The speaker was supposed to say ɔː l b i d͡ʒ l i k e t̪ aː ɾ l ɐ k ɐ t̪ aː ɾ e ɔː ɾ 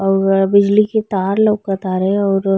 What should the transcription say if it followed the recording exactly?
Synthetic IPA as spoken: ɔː ɾ b ɪ d͡ʒ l i k e t̪ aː ɾ l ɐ k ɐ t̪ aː ɾ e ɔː ɾ